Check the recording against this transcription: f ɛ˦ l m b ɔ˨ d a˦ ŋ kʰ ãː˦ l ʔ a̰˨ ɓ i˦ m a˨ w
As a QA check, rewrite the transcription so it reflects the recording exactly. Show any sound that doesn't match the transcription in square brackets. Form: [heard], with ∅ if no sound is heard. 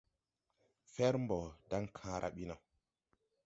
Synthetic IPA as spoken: f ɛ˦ [ɾ] m b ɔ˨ d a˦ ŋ kʰ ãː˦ [ɾ] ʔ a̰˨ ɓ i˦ [n] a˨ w